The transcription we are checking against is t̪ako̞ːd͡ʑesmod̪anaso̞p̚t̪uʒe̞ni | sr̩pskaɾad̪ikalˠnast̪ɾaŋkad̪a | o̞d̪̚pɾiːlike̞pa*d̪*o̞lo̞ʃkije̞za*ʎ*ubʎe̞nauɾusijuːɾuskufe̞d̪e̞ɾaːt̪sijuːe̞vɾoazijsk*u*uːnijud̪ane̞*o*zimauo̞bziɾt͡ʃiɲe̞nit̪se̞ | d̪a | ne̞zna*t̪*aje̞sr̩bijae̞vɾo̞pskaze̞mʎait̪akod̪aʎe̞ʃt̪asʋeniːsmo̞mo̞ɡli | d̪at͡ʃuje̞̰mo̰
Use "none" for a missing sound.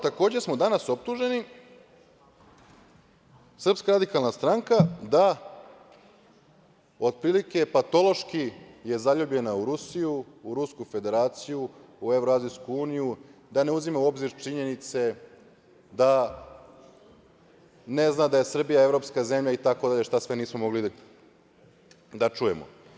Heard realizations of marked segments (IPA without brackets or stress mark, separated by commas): t̪, ʎ, u, u, d̪